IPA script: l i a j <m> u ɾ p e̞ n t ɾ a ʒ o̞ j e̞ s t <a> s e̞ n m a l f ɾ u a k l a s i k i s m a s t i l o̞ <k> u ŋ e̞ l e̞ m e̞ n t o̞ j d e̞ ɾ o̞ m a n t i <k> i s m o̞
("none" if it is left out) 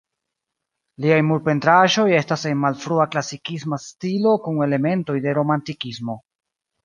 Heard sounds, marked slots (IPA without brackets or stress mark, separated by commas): m, a, k, k